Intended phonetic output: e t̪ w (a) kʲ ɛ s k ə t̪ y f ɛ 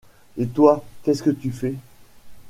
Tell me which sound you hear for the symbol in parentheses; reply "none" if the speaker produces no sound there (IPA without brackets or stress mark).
a